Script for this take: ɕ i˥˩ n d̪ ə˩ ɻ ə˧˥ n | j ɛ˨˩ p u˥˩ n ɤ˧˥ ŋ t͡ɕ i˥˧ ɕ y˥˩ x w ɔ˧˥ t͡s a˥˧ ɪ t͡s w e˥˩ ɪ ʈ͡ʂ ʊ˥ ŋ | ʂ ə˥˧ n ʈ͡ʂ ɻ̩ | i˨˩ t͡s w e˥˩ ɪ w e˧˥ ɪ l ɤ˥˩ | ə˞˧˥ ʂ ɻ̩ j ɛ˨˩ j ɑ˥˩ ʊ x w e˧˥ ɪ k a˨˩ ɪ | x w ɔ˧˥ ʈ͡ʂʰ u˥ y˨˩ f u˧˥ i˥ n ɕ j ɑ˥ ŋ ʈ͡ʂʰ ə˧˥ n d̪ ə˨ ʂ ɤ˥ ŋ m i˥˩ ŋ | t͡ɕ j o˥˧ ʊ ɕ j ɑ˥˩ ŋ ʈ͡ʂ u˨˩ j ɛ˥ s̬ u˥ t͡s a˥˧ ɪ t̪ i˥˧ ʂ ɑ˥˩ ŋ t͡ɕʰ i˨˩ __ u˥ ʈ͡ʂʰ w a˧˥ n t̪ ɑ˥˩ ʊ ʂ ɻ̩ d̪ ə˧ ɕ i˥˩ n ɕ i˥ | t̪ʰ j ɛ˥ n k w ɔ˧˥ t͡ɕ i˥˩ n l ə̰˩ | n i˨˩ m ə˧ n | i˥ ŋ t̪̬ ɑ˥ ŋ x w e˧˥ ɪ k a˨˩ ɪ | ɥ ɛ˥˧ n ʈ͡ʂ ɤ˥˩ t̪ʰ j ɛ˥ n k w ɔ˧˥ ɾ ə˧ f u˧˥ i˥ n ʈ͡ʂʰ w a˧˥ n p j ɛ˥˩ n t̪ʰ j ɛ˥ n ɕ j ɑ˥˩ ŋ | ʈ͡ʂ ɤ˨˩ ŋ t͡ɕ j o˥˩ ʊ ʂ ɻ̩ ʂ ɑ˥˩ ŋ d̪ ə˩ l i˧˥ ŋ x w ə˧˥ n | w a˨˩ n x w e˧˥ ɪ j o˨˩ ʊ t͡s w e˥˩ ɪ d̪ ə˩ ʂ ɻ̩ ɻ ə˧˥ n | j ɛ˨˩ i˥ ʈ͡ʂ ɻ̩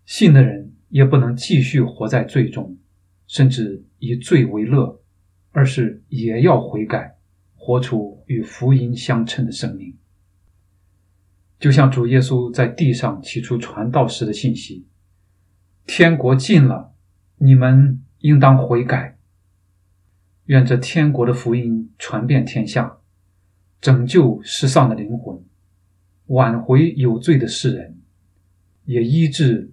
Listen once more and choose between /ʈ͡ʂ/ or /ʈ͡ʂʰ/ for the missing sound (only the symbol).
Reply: ʈ͡ʂʰ